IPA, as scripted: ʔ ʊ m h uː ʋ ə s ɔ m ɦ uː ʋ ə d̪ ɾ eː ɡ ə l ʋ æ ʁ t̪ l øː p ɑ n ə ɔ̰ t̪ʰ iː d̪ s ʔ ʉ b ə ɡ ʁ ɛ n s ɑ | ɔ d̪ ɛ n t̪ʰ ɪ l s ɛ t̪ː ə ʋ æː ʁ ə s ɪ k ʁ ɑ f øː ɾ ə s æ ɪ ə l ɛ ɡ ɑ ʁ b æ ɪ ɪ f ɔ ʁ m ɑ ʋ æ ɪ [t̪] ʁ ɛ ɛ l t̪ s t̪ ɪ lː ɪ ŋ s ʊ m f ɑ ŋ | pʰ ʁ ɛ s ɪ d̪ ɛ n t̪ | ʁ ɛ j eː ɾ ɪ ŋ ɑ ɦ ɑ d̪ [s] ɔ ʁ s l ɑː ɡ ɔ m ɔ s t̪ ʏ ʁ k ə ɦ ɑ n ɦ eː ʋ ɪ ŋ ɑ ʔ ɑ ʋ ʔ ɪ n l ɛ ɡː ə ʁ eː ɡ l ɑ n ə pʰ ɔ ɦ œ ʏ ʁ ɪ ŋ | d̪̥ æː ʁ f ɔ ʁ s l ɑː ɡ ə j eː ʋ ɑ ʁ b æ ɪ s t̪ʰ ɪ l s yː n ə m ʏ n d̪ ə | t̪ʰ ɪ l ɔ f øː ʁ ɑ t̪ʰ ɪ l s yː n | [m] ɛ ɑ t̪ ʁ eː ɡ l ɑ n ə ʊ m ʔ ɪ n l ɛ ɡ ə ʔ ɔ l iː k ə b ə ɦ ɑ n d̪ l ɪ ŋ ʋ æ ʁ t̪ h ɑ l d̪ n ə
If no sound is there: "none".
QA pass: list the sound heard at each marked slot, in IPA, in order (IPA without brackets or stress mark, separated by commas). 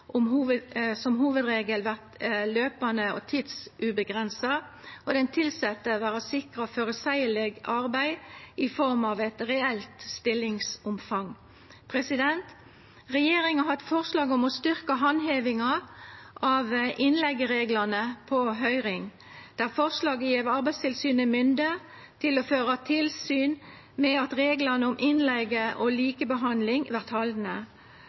t̪, f, m